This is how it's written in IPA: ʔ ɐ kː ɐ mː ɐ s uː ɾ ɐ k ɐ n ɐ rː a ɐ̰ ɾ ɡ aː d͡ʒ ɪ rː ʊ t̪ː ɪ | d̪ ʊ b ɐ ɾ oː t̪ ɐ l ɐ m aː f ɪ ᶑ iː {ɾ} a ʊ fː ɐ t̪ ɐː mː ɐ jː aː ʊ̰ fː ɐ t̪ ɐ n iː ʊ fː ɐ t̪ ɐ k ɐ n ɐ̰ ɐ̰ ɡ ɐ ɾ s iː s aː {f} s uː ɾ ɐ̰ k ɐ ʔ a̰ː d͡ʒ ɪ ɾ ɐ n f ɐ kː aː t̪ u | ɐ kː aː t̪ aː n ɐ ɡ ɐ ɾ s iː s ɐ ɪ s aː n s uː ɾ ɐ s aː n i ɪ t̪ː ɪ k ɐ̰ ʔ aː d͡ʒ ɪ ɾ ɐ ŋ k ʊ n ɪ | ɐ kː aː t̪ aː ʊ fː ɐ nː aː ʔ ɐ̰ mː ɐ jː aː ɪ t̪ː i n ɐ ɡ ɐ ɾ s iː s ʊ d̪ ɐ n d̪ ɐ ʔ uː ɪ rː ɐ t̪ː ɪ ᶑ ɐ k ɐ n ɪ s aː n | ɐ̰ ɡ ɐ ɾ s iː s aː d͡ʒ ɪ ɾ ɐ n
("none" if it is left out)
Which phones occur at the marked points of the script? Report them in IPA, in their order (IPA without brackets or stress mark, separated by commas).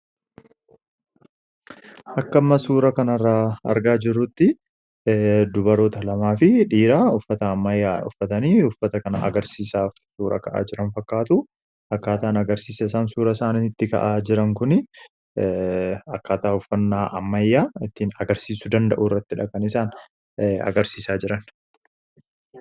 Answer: ɾ, f